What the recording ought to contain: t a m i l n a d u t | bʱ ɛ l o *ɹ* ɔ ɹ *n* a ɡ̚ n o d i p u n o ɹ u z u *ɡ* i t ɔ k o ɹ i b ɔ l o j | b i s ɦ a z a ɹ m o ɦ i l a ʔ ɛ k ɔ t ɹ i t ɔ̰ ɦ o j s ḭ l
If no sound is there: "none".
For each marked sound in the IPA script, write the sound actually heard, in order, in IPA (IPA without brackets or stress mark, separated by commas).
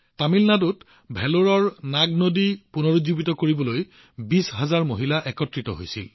ɹ, n, b